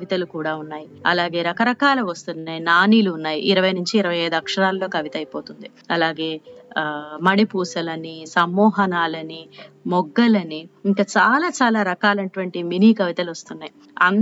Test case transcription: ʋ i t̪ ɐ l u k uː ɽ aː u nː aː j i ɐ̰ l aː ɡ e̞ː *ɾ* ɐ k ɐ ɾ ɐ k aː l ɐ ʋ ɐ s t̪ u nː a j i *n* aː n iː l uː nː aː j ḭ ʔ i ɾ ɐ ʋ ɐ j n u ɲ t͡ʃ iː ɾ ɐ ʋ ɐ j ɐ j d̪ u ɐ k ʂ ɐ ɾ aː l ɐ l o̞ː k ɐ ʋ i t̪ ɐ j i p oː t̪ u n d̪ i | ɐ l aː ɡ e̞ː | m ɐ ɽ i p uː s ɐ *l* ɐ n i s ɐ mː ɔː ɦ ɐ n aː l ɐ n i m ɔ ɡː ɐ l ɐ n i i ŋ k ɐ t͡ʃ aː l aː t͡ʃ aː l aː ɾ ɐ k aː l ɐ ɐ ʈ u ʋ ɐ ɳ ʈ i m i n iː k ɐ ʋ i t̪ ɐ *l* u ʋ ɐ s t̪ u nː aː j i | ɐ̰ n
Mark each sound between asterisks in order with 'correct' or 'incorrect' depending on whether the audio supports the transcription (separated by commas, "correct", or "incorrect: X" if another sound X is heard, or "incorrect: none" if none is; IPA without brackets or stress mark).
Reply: correct, correct, correct, correct